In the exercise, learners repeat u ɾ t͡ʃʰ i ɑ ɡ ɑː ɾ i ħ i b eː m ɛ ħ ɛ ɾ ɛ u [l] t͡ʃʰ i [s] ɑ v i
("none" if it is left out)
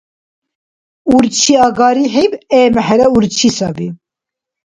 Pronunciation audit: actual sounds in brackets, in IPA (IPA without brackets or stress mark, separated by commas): ɾ, s